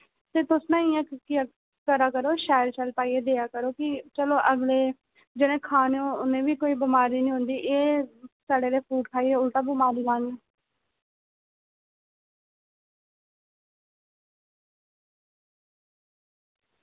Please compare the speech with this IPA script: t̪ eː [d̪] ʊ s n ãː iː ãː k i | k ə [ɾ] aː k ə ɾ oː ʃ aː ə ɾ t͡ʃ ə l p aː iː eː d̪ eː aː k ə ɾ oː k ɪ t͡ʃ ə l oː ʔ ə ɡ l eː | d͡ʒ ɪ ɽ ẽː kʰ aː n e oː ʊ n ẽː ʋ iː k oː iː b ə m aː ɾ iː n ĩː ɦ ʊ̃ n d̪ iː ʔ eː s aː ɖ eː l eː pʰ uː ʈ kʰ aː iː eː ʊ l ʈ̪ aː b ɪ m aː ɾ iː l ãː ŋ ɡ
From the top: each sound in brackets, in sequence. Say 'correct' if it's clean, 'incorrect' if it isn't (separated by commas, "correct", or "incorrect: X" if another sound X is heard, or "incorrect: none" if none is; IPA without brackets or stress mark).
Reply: incorrect: t̪, correct